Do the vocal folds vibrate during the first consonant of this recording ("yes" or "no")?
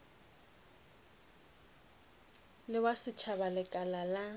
yes